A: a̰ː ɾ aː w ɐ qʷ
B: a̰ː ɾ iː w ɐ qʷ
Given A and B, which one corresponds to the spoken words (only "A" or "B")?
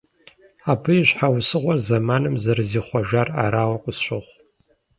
A